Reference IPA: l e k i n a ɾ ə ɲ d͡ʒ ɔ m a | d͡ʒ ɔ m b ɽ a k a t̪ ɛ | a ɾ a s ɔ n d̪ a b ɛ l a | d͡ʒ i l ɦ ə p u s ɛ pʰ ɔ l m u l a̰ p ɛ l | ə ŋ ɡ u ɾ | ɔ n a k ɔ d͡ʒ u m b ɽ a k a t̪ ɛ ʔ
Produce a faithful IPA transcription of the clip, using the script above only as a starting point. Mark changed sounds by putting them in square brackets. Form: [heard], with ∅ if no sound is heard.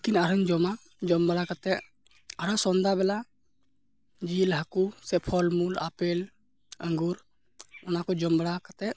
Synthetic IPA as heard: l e k i n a ɾ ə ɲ d͡ʒ ɔ m a | d͡ʒ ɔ m b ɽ a k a t̪ ɛ | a ɾ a s ɔ n d̪ a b ɛ l a | d͡ʒ i l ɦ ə [k] u s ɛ pʰ ɔ l m u l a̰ p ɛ l | ə ŋ ɡ u ɾ | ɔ n a k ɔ d͡ʒ [ɔ] m b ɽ a k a t̪ ɛ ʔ